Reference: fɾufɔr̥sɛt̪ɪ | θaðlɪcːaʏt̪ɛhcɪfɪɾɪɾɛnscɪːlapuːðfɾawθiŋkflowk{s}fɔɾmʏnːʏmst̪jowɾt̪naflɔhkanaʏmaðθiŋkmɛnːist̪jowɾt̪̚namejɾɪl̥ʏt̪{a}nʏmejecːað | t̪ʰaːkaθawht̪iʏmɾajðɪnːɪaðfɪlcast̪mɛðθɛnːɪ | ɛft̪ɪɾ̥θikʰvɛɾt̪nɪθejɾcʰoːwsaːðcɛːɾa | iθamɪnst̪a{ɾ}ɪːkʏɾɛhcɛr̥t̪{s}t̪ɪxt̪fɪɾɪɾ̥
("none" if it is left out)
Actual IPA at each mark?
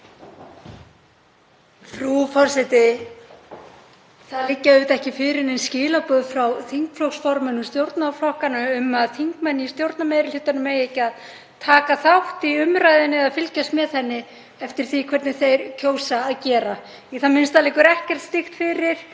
s, a, l, s

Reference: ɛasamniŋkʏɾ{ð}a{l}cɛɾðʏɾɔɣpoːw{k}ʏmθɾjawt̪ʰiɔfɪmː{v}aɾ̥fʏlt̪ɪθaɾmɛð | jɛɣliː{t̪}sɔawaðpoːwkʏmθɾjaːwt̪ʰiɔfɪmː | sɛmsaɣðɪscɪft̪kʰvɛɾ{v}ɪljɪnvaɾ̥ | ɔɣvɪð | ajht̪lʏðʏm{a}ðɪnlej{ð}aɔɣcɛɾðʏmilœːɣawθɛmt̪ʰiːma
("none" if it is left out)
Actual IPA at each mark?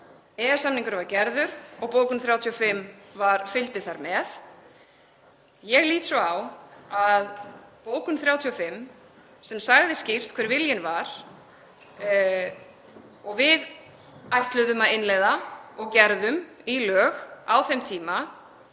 v, ɾ, k, v, t̪, v, a, ð

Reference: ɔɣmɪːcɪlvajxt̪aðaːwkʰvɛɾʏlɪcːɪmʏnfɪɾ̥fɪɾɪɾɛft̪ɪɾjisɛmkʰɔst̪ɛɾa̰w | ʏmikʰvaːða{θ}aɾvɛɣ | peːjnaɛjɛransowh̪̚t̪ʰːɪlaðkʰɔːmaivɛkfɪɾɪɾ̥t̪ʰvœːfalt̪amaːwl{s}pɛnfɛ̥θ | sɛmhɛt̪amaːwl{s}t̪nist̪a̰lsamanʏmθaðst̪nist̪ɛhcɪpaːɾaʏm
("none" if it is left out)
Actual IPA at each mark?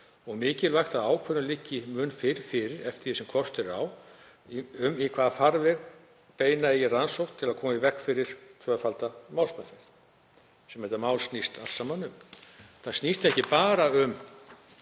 f, s, s

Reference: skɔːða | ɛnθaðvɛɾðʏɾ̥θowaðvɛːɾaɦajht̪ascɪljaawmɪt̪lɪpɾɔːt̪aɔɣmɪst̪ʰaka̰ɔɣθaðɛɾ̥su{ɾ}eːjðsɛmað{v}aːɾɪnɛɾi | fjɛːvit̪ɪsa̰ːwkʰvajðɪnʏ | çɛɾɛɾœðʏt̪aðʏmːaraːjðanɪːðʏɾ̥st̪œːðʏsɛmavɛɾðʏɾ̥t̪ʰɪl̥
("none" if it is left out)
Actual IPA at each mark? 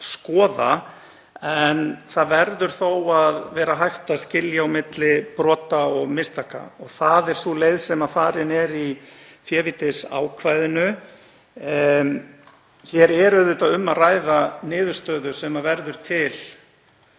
l, f

